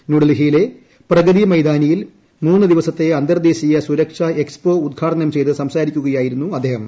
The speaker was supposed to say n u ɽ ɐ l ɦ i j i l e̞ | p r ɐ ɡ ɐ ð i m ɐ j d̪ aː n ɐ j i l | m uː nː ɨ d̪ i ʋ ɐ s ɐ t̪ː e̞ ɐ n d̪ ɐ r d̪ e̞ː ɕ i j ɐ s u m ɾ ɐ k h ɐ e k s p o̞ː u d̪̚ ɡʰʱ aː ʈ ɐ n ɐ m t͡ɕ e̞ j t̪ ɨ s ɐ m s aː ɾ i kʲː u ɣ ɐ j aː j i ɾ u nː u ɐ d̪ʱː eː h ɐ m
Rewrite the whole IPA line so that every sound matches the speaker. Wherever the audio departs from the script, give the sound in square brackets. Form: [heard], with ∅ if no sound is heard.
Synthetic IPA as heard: n u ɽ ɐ l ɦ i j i l e̞ | p r ɐ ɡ ɐ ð i m ɐ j d̪ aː n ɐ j i l | m uː nː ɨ d̪ i ʋ ɐ s ɐ t̪ː e̞ ɐ n d̪ ɐ r d̪ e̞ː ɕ i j ɐ s u [∅] ɾ ɐ k [ʂ] ɐ e k s p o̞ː u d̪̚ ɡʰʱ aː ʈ ɐ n ɐ m t͡ɕ e̞ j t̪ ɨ s ɐ m s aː ɾ i kʲː u ɣ ɐ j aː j i ɾ u nː u ɐ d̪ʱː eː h ɐ m